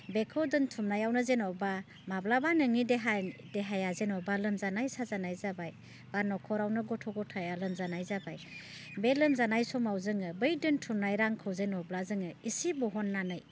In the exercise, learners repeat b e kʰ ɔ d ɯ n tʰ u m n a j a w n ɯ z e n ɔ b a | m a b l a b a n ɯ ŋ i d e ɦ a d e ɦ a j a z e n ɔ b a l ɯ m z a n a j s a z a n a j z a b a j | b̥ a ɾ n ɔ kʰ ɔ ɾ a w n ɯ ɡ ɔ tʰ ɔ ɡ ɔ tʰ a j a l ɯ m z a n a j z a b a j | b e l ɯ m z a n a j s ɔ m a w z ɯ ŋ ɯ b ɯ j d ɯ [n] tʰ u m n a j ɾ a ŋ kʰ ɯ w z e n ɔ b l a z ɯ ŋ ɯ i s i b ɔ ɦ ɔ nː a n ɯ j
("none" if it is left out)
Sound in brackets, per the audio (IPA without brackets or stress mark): n